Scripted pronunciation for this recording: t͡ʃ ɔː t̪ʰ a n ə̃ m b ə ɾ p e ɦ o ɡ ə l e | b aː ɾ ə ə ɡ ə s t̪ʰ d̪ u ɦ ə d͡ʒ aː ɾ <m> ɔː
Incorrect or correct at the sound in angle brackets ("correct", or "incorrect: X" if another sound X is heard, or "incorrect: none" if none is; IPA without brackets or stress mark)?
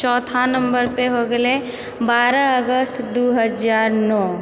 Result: incorrect: n